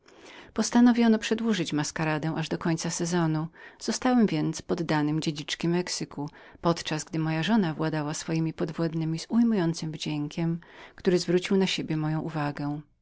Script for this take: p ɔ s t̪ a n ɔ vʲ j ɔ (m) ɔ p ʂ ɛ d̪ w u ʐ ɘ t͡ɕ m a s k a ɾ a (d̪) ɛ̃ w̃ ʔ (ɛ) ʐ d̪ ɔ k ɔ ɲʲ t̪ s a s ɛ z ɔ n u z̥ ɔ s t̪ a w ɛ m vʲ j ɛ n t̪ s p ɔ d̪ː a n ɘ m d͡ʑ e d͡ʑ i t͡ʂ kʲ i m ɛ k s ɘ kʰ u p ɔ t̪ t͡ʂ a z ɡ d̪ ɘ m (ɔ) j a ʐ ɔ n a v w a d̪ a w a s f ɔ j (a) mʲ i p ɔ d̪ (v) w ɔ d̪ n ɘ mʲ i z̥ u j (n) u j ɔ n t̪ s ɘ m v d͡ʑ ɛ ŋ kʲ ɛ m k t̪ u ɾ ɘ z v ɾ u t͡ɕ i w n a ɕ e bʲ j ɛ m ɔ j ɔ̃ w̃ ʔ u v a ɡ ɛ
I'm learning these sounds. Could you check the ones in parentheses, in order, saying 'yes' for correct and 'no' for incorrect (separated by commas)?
no, yes, no, yes, no, yes, no